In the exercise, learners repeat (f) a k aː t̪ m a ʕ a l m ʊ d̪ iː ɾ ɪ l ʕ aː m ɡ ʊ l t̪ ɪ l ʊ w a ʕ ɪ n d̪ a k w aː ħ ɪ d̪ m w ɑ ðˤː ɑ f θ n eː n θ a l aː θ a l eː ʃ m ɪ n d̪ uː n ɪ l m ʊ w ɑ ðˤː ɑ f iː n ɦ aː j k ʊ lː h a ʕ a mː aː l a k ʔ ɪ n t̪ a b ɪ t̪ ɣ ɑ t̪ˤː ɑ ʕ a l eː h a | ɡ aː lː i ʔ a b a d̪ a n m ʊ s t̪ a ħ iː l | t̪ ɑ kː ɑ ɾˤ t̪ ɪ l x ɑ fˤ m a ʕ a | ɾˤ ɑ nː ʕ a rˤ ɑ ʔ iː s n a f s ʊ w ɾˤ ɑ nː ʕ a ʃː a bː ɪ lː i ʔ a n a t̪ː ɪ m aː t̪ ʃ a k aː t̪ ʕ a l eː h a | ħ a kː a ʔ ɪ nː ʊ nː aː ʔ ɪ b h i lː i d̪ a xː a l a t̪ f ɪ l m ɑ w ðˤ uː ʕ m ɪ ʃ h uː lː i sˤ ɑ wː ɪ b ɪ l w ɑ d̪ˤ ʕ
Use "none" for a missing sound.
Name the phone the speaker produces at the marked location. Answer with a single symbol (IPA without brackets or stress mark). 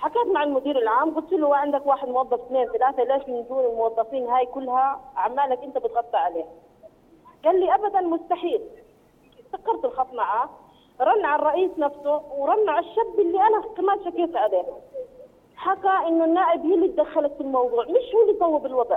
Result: ħ